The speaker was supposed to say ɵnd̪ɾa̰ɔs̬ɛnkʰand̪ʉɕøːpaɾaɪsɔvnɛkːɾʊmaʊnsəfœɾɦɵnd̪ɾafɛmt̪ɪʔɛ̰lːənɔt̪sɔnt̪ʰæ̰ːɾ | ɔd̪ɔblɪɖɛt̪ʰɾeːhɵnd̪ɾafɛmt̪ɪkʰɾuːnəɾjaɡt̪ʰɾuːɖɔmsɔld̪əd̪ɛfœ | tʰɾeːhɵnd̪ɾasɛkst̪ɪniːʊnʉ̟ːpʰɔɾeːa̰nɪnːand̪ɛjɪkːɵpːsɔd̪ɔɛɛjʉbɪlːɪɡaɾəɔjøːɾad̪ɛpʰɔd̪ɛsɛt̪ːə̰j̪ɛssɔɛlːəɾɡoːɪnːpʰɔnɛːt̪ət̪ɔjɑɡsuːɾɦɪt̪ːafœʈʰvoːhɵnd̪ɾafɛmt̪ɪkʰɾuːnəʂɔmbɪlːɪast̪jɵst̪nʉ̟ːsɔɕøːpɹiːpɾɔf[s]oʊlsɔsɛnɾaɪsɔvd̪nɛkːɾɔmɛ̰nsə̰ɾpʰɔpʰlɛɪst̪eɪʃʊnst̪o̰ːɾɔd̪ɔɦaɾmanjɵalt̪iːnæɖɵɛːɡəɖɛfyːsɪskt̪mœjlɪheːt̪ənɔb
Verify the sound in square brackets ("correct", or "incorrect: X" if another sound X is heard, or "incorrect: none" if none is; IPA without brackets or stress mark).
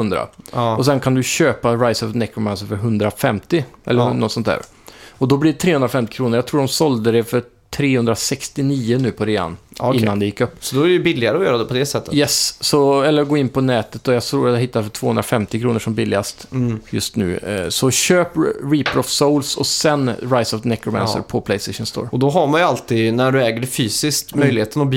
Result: correct